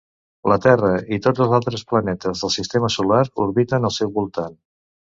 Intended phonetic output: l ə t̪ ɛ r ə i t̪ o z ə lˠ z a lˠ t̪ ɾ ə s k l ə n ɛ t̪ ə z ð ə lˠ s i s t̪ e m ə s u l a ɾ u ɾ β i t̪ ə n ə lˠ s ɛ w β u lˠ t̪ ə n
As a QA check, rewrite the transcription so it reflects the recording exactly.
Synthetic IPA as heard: l ə t̪ ɛ r ə i t̪ o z ə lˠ z a lˠ t̪ ɾ ə s p l ə n ɛ t̪ ə z ð ə lˠ s i s t̪ e m ə s u l a ɾ u ɾ β i t̪ ə n ə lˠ s ɛ w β u lˠ t̪ a n